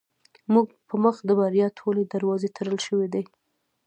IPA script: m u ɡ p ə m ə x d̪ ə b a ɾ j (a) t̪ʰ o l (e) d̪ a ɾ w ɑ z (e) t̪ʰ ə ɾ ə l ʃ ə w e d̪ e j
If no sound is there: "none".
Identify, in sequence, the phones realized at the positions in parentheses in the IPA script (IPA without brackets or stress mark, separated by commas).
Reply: ɑ, e, e